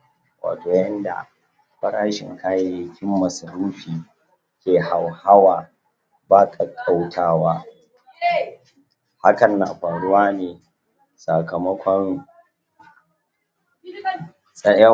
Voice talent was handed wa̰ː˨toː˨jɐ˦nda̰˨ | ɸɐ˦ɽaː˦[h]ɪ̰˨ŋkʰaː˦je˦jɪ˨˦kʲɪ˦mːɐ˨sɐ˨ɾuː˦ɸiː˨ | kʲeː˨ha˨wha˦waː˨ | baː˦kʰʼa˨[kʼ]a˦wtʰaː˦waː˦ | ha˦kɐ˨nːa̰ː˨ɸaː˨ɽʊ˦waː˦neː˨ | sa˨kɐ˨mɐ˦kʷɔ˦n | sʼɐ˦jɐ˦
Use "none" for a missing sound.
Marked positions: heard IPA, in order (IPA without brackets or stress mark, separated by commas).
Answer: ʃ, kʼ